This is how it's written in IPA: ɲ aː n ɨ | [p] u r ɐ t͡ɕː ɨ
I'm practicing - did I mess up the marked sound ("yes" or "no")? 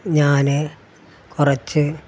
yes